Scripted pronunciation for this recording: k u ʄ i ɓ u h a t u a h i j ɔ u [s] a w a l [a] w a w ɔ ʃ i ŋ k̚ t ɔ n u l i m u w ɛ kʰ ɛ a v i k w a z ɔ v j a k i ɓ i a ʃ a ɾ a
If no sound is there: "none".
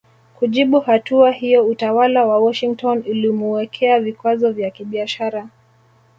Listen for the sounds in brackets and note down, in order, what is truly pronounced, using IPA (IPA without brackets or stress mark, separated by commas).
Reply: t, a